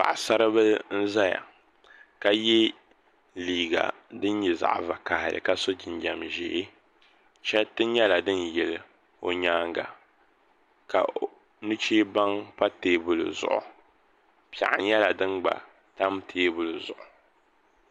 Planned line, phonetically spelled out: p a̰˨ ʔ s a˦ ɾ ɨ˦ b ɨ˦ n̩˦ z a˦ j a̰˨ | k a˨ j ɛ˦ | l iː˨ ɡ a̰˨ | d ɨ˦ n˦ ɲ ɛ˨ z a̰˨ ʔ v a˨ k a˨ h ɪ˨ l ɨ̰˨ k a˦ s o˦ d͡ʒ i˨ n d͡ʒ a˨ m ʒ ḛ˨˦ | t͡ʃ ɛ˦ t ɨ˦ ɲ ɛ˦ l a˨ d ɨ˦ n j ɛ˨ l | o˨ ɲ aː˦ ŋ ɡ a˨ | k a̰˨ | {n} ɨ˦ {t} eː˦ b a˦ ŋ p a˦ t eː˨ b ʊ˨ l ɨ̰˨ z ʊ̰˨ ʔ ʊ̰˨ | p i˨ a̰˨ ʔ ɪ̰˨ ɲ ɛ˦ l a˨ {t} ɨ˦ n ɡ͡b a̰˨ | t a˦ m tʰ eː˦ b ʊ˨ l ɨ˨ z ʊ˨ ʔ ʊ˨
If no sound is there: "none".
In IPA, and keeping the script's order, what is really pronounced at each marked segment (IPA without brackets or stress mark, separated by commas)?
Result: n, t͡ʃ, d